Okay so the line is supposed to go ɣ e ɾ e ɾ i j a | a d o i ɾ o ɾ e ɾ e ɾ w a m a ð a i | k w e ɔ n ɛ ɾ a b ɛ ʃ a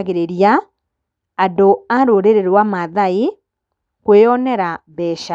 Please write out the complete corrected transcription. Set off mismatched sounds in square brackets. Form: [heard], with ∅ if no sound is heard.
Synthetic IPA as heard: ɣ e ɾ e ɾ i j a | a d o [a] ɾ o ɾ e ɾ e ɾ w a m a ð a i | k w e ɔ n ɛ ɾ a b ɛ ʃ a